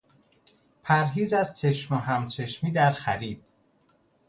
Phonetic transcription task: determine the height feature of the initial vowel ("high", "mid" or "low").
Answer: low